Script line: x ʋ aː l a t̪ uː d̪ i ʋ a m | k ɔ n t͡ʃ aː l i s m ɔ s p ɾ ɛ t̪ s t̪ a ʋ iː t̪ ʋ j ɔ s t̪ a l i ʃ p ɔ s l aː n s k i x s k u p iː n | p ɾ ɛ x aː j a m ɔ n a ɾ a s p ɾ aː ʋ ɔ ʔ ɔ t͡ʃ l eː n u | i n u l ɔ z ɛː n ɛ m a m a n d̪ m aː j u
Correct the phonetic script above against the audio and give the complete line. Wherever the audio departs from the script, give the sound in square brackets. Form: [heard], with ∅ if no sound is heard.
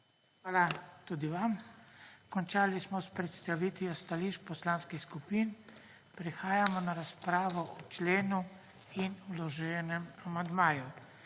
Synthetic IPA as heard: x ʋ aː l a t̪ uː d̪ i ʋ a m | k ɔ n t͡ʃ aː l i s m ɔ s p ɾ ɛ t̪ s t̪ a ʋ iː t̪ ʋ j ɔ s t̪ a l i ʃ p ɔ s l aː n s k i x s k u p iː n | p ɾ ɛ x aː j a m ɔ n a ɾ a s p ɾ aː ʋ ɔ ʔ ɔ t͡ʃ l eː n u | i n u l ɔ [ʒ] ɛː n ɛ m a m a n d̪ m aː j u